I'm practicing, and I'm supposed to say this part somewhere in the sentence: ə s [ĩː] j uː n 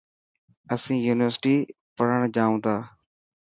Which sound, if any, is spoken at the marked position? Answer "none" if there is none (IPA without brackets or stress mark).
ĩː